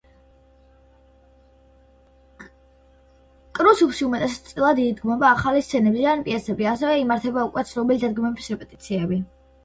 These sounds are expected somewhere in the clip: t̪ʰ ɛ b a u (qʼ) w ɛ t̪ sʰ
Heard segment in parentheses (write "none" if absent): kʼ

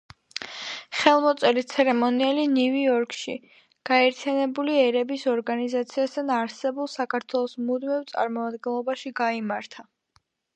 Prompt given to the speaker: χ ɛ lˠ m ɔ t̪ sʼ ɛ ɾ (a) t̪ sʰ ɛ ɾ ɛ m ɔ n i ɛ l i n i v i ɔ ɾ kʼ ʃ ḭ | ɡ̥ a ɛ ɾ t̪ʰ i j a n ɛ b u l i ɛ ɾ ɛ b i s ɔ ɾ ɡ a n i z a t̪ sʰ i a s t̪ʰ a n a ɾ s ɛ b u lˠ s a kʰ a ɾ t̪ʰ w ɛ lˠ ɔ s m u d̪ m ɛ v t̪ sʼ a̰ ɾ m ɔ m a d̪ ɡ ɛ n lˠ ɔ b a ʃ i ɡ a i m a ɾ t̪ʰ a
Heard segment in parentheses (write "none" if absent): i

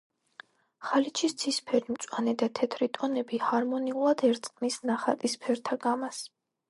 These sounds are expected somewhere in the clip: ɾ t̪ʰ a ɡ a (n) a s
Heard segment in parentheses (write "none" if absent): m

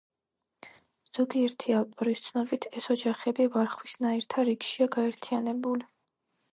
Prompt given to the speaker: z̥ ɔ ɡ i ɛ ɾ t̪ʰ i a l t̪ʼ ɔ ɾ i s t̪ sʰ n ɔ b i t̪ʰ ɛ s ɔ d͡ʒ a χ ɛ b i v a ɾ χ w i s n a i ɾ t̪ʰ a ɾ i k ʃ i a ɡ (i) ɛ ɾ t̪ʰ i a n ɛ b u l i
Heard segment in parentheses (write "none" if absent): a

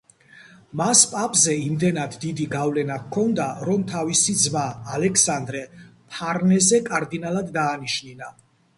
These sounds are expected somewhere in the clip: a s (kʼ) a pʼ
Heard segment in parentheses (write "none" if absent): pʼ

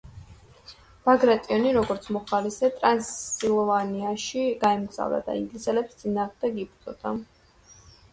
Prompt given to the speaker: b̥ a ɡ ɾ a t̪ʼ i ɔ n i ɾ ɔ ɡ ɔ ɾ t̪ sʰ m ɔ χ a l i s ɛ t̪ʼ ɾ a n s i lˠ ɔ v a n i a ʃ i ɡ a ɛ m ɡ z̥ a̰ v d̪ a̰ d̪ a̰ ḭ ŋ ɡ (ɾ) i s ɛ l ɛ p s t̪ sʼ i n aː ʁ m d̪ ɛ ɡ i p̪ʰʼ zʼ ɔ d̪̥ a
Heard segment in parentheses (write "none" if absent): l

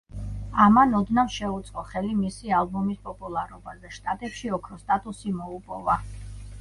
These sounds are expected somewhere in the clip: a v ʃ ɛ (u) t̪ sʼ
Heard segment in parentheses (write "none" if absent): u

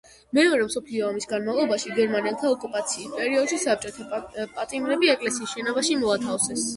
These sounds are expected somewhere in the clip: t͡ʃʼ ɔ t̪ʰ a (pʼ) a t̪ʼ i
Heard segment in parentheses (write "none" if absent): pʼ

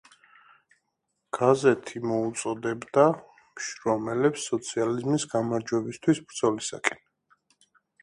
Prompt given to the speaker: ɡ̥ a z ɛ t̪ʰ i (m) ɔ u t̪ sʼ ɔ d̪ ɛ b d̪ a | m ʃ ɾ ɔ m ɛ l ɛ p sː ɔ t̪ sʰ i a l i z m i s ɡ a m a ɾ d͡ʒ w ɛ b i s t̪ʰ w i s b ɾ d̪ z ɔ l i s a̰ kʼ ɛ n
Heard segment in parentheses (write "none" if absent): m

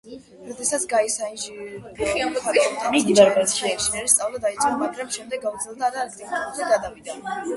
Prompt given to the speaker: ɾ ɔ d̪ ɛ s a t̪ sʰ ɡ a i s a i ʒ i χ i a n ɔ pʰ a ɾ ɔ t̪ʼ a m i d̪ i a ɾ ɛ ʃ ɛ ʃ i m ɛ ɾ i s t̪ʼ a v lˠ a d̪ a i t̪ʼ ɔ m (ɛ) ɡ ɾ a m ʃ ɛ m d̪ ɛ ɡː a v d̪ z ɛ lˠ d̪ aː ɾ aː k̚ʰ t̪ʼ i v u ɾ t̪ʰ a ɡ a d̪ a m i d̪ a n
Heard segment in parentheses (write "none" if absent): a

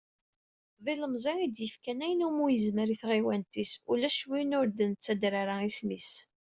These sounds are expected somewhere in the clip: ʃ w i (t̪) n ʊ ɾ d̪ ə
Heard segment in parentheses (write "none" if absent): none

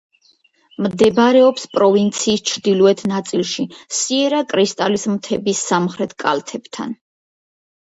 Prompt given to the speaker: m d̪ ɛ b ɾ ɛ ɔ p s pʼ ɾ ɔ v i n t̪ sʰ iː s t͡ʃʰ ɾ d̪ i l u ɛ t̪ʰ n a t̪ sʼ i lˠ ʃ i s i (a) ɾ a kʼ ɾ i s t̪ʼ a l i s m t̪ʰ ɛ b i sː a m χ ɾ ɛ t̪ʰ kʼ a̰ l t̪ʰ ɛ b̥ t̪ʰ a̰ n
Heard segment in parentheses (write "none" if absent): ɛ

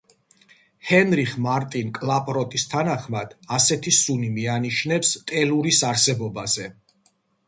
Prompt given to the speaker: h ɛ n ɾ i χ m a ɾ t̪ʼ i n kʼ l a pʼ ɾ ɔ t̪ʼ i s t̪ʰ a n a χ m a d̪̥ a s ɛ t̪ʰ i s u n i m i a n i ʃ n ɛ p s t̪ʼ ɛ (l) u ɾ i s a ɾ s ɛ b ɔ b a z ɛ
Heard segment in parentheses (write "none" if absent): l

